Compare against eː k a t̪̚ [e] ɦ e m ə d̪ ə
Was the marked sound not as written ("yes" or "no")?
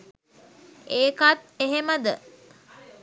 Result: no